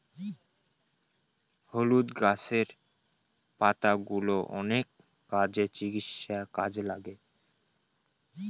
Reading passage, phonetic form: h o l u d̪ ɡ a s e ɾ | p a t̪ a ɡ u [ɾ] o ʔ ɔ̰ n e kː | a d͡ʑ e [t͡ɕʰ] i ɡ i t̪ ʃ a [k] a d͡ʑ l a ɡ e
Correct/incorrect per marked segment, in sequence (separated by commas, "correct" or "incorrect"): incorrect, incorrect, correct